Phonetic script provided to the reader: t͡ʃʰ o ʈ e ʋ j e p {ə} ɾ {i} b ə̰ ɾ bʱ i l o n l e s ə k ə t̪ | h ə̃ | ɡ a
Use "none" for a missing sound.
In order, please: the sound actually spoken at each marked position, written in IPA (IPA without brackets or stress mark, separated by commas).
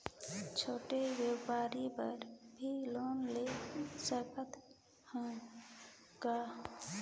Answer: a, i